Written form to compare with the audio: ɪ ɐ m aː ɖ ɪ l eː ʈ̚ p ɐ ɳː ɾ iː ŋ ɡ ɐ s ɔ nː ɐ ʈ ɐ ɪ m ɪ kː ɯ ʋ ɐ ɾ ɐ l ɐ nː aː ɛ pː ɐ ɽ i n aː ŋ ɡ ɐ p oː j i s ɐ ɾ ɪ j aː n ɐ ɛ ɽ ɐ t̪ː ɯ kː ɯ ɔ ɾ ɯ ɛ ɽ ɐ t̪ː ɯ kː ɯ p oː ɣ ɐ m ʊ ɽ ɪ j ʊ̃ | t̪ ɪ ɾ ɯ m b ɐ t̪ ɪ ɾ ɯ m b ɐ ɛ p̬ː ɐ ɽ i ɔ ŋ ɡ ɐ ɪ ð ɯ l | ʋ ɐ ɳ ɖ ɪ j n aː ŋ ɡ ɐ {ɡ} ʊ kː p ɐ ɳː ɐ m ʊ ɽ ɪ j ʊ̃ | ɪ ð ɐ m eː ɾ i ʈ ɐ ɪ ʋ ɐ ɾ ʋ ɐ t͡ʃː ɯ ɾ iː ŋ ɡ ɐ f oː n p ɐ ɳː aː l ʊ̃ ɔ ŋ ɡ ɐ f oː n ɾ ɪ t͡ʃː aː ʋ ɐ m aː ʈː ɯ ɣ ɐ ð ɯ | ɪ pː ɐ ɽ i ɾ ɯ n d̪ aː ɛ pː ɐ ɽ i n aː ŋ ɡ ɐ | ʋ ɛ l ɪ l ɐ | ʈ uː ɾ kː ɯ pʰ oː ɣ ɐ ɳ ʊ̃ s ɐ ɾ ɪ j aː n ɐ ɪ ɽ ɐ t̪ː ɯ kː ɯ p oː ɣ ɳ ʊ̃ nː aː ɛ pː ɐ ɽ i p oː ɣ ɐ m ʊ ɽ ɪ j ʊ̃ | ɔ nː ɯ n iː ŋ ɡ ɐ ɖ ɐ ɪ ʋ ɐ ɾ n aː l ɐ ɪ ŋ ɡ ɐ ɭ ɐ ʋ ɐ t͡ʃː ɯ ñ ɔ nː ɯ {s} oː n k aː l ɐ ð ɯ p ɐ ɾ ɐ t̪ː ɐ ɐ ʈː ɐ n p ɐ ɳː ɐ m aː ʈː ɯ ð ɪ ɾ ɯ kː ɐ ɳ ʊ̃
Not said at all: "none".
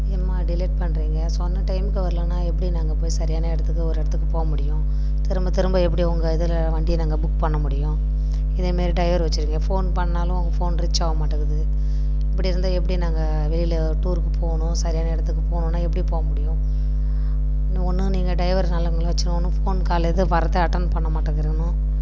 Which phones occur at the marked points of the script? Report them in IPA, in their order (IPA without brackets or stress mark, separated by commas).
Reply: b, f